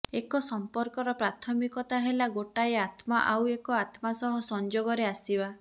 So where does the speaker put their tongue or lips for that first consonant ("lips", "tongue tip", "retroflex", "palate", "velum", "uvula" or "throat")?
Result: velum